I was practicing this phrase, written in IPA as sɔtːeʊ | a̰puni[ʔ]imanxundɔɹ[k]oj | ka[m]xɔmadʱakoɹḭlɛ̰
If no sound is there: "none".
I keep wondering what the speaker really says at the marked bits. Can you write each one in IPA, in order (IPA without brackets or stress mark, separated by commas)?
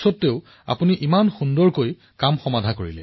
ʔ, k, m